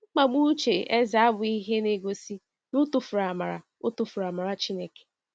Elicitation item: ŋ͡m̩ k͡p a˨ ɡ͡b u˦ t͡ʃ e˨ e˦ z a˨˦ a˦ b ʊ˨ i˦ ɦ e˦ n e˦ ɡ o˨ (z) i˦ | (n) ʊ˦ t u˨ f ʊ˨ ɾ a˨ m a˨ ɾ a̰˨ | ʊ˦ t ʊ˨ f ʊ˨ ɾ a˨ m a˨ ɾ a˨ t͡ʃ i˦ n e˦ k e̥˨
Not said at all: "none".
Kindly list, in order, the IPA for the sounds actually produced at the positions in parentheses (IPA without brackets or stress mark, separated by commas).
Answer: s, n